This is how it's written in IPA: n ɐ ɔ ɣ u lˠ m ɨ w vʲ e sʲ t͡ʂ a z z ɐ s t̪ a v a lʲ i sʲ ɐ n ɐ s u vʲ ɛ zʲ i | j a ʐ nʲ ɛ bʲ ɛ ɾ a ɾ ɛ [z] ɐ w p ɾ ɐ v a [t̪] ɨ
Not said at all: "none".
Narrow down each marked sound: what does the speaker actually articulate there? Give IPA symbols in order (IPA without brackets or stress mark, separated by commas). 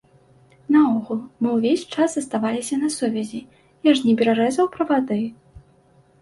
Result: z, d̪